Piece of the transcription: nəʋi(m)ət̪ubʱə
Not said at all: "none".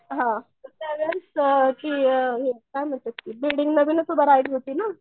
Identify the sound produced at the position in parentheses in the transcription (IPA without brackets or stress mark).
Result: n